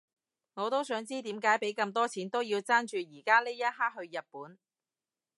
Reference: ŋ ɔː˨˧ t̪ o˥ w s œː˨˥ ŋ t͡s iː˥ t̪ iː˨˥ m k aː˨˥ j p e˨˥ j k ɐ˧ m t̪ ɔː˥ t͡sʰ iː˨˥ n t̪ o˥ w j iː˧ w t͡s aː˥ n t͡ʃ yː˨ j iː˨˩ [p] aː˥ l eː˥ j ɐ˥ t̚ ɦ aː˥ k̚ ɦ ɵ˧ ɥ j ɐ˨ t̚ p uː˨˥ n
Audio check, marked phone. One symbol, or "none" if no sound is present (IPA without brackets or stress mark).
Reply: k